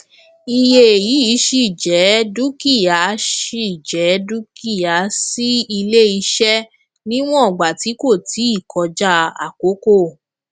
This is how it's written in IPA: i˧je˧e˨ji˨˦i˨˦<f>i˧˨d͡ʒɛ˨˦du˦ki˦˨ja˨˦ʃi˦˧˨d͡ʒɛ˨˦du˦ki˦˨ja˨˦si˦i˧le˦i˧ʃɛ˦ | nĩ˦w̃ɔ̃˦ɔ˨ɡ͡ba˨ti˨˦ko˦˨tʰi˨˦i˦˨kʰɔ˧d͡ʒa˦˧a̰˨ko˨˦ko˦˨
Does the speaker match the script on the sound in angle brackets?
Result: no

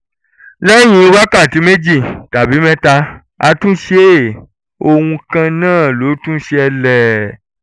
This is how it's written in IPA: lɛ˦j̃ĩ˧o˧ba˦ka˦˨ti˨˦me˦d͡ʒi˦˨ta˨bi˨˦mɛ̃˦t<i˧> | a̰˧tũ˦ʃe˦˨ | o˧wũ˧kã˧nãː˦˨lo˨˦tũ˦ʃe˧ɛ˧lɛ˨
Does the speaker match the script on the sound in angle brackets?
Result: no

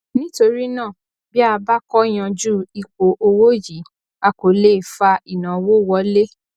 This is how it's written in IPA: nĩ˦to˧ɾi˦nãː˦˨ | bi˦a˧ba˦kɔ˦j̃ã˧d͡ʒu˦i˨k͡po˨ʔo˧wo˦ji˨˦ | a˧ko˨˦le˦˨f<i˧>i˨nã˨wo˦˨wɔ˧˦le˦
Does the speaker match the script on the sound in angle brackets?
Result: no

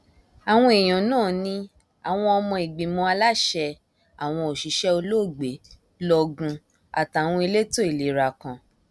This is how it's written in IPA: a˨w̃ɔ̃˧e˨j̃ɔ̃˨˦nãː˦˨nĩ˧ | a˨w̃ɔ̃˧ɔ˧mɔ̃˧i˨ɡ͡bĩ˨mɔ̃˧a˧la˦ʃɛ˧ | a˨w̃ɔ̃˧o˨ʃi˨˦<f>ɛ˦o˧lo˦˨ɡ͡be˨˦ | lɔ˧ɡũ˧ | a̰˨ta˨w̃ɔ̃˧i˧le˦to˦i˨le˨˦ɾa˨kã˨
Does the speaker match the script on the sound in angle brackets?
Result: no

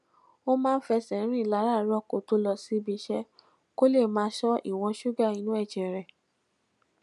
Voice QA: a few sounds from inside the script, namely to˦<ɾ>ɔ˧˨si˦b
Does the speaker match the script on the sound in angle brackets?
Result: no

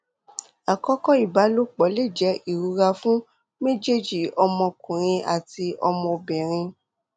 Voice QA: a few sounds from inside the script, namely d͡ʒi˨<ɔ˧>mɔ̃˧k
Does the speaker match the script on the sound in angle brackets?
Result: yes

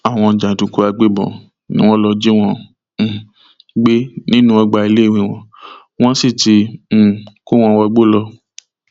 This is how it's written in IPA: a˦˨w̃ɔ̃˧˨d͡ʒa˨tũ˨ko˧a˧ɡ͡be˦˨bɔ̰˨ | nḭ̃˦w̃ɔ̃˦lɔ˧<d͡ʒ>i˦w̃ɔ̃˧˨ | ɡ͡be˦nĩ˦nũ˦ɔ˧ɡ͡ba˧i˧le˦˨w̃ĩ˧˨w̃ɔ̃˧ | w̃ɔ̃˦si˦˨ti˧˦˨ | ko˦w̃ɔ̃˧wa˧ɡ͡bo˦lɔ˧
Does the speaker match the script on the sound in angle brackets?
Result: yes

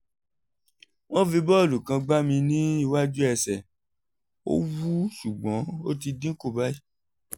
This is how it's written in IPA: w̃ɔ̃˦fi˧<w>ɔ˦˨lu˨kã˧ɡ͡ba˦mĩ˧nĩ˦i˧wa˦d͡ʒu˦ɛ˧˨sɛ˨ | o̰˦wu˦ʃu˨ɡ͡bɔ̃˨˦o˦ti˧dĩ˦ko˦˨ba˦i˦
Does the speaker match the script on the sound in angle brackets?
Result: no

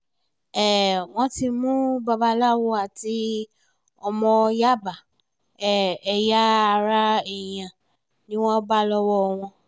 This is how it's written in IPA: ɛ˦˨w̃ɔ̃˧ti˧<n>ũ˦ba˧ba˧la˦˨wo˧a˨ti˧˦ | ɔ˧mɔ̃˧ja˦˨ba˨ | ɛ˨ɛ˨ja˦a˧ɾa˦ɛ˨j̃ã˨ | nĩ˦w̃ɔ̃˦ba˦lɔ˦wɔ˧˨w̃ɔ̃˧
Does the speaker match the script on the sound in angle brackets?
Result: no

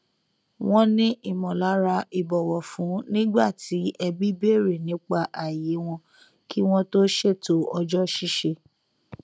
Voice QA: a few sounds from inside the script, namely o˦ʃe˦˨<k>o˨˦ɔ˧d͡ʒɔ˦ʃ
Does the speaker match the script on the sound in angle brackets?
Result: no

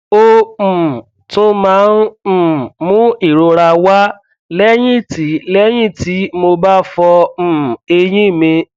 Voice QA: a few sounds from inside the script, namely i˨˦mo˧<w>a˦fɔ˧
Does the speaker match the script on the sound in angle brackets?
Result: no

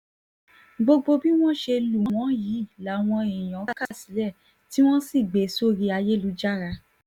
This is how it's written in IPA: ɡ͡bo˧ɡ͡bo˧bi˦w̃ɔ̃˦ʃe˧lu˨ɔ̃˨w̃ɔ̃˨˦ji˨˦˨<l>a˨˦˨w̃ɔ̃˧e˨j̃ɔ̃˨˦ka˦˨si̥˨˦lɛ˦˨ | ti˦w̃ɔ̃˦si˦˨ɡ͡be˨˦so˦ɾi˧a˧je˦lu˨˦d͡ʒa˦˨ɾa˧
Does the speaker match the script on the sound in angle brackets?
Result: yes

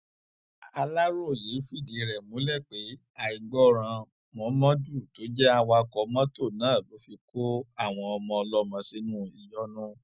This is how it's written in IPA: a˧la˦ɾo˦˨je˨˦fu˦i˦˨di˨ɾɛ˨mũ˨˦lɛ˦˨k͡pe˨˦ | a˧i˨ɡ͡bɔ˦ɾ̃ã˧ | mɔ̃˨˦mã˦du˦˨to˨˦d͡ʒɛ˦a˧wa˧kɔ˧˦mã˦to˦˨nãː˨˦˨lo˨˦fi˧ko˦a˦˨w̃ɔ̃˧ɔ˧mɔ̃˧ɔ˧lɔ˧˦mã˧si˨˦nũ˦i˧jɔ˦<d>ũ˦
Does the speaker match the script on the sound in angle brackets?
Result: no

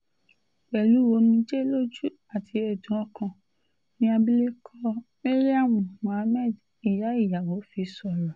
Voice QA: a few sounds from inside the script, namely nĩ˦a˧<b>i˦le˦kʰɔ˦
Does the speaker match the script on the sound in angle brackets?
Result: yes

